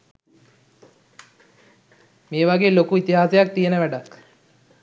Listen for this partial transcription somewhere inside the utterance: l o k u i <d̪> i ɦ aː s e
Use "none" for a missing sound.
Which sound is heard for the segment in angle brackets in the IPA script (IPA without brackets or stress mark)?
t̪